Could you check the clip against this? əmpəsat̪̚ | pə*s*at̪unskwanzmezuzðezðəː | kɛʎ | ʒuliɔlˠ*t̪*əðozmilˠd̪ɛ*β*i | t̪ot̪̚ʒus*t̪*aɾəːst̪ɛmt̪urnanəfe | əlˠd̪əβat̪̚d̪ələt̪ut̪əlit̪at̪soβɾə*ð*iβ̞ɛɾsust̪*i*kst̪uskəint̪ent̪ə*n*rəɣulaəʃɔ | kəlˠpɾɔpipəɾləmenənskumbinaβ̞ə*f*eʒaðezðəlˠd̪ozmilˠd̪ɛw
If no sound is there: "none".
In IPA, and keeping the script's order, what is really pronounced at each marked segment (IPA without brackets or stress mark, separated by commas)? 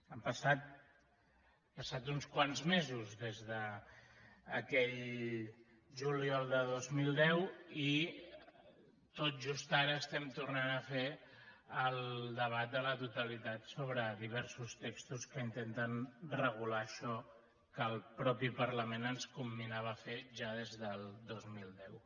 s, d̪, w, t̪, ð, e, n, f